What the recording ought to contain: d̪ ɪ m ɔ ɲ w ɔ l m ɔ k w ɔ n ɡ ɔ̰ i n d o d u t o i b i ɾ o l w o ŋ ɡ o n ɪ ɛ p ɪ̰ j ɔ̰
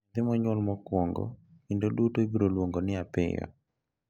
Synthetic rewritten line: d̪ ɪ m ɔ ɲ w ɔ l m ɔ k w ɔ ŋ ɡ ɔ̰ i n d o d u t o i b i ɾ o l w o ŋ ɡ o n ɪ a p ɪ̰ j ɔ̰